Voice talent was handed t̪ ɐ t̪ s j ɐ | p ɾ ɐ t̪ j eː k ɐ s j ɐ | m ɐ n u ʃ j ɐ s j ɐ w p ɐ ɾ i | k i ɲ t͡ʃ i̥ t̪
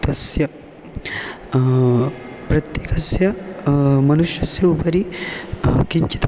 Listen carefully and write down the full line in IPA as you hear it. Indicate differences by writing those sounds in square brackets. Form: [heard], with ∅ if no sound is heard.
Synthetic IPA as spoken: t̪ ɐ [∅] s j ɐ | p ɾ ɐ t̪ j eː k ɐ s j ɐ | m ɐ n u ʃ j ɐ s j ɐ [u] p ɐ ɾ i | k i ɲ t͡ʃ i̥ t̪

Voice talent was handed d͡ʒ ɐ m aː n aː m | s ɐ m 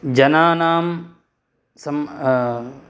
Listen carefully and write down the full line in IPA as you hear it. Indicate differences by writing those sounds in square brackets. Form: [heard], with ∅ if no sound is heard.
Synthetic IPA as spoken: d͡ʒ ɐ [n] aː n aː m | s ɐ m

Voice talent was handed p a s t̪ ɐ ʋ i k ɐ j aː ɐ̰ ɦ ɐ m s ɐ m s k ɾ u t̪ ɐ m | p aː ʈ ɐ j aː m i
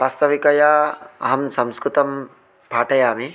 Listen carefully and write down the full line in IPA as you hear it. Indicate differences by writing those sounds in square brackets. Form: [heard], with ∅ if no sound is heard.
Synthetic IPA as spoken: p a s t̪ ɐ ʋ i k ɐ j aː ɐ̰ ɦ ɐ m s ɐ m s k ɾ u t̪ ɐ m | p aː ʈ ɐ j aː m i

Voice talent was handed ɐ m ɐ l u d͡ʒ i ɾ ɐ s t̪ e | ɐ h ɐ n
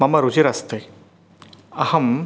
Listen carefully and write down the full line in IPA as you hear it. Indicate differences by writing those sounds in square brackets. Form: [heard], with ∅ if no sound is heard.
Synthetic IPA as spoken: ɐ m ɐ [ɾ] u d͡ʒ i ɾ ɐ s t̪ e | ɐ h ɐ [m]

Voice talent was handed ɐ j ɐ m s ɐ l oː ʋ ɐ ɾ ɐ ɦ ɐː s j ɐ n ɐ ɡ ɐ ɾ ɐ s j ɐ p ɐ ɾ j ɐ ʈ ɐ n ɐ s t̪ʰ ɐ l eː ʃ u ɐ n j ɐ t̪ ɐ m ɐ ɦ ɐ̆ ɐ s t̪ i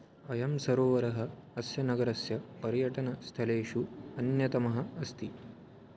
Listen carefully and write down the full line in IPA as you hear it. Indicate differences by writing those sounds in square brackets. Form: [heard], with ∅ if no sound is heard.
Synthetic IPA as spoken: ɐ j ɐ m s ɐ [ɾ] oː ʋ ɐ ɾ ɐ ɦ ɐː s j ɐ n ɐ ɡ ɐ ɾ ɐ s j ɐ p ɐ ɾ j ɐ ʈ ɐ n ɐ s t̪ʰ ɐ l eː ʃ u ɐ n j ɐ t̪ ɐ m ɐ ɦ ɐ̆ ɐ s t̪ i

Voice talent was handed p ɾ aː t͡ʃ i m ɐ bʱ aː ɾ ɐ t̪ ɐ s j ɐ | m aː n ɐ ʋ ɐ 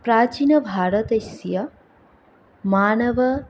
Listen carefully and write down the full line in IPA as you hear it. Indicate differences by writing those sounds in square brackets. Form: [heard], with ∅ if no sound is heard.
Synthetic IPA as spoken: p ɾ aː t͡ʃ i [n] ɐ bʱ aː ɾ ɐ t̪ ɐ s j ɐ | m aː n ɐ ʋ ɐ

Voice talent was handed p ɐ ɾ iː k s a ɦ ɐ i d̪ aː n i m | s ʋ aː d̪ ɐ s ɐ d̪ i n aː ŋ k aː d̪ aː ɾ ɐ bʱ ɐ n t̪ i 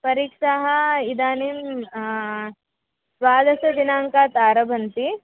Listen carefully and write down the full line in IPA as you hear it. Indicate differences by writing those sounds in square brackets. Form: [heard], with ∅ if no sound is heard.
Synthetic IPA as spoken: p ɐ ɾ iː k [ʂ] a ɦ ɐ i d̪ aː n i m | s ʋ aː d̪ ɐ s ɐ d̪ i n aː ŋ k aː [t̪] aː ɾ ɐ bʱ ɐ n t̪ i

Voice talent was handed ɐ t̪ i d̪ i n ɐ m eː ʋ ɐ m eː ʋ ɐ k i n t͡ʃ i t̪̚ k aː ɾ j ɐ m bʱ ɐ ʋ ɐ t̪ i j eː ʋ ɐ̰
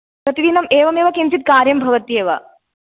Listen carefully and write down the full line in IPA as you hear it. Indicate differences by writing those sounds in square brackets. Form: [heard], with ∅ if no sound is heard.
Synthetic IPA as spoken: ɐ t̪ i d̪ i n ɐ m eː ʋ ɐ m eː ʋ ɐ k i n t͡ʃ i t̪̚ k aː ɾ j ɐ m bʱ ɐ ʋ ɐ t̪ i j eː ʋ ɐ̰

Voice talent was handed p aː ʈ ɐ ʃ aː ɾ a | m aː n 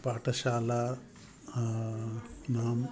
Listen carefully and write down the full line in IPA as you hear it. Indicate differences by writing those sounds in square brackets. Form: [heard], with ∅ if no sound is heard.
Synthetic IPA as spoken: p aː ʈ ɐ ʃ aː [l] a | [n] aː [m]

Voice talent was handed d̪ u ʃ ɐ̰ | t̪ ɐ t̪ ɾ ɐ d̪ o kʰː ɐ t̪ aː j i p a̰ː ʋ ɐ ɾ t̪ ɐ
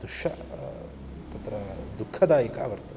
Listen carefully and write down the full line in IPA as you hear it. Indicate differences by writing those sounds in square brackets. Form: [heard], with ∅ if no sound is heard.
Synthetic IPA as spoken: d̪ u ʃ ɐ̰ | t̪ ɐ t̪ ɾ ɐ d̪ [u] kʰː ɐ [d̪] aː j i [k] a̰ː ʋ ɐ ɾ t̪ ɐ

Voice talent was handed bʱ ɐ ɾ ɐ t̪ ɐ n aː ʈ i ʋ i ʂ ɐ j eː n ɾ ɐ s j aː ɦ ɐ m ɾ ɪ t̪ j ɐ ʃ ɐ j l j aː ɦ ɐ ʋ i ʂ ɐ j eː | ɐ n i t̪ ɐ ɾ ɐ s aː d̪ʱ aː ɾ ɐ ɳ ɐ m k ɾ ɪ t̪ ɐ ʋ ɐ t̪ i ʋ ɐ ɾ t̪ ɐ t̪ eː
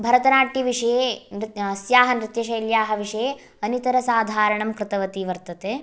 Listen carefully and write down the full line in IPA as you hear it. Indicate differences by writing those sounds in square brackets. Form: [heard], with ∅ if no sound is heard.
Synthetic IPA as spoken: bʱ ɐ ɾ ɐ t̪ ɐ n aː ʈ i ʋ i ʂ ɐ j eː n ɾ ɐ s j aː ɦ ɐ [n] ɾ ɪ t̪ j ɐ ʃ ɐ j l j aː ɦ ɐ ʋ i ʂ ɐ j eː | ɐ n i t̪ ɐ ɾ ɐ s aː d̪ʱ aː ɾ ɐ ɳ ɐ m k ɾ ɪ t̪ ɐ ʋ ɐ t̪ i ʋ ɐ ɾ t̪ ɐ t̪ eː

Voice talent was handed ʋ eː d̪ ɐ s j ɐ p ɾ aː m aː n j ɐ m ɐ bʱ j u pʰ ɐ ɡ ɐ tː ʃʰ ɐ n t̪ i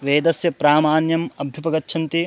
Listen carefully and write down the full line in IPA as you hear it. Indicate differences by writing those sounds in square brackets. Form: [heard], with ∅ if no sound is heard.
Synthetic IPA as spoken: ʋ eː d̪ ɐ s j ɐ p ɾ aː m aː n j ɐ m ɐ bʱ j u [p] ɐ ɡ ɐ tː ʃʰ ɐ n t̪ i

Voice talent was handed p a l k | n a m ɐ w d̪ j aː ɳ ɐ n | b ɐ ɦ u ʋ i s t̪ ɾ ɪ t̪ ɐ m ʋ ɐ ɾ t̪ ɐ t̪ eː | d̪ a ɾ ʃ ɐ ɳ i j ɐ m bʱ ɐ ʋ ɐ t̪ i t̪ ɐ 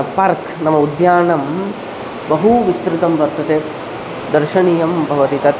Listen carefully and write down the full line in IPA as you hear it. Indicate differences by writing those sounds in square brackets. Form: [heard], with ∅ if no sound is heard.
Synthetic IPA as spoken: p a [ɾ] k | n [ɐ] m ɐ [u] d̪ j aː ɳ ɐ [m] | b ɐ ɦ u ʋ i s t̪ ɾ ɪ t̪ ɐ m ʋ ɐ ɾ t̪ ɐ t̪ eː | d̪ [ɐ] ɾ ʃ ɐ ɳ i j ɐ m bʱ ɐ ʋ ɐ t̪ i t̪ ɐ

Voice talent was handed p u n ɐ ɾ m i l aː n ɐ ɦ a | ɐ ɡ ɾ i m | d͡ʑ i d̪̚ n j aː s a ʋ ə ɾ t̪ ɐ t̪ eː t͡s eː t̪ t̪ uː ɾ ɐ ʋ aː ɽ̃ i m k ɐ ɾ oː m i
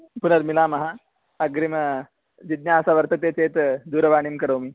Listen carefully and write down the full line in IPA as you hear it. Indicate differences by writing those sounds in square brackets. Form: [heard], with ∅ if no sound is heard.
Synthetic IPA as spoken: p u n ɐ ɾ m i l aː [m] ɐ ɦ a | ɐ ɡ ɾ i m | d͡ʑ i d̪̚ n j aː s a ʋ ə ɾ t̪ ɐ t̪ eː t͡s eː t̪ [d̪] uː ɾ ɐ ʋ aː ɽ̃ i m k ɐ ɾ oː m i

